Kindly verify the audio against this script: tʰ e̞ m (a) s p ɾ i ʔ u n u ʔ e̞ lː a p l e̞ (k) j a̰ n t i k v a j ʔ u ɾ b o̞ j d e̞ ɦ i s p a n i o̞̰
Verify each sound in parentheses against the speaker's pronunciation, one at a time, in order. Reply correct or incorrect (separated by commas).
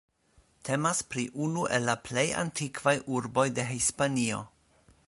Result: correct, incorrect